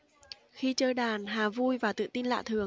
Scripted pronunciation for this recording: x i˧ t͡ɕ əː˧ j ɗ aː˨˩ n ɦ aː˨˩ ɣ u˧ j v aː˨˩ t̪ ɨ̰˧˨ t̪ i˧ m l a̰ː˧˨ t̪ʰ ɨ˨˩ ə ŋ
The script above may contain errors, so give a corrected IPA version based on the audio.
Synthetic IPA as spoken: x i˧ t͡ɕ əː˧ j ɗ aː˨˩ n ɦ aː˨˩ v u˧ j v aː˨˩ t̪ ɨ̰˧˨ t̪ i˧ n l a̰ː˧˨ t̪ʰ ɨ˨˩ ə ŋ